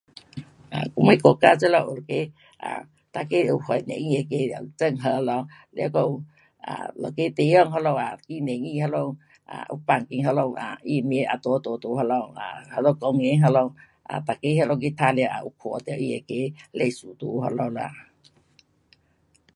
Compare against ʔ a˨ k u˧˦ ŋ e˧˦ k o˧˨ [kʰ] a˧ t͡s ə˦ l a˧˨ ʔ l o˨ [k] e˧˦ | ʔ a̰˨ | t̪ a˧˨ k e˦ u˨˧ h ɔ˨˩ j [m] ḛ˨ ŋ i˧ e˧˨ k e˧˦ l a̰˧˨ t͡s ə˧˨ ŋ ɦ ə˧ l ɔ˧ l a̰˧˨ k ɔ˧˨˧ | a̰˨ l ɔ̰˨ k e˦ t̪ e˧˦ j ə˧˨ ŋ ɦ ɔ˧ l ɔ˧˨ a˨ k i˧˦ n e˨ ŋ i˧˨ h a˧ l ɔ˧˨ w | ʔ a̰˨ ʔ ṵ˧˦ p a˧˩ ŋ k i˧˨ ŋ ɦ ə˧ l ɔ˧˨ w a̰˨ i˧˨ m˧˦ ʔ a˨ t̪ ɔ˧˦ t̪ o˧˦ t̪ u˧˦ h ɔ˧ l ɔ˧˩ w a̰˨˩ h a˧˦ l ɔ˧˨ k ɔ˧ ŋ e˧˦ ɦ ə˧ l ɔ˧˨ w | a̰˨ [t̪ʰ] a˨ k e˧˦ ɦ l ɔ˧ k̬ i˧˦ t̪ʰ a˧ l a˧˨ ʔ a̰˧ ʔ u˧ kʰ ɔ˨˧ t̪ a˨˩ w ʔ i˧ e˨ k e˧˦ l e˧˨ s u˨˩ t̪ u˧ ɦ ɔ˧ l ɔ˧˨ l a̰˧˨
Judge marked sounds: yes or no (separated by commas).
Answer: no, yes, no, no